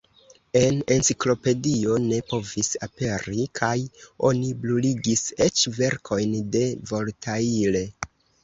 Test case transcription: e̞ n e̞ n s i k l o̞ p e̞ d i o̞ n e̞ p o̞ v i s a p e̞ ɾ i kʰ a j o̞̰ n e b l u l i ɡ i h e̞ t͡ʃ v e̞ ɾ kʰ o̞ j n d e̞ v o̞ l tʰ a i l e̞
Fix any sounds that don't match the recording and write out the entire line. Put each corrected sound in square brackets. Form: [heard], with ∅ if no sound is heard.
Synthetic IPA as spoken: e̞ n e̞ n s i k l o̞ p e̞ d i o̞ n e̞ p o̞ v i s a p e̞ ɾ i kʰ a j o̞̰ n [i] b l u l i ɡ i [s] e̞ t͡ʃ v e̞ ɾ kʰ o̞ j n d e̞ v o̞ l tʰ a i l e̞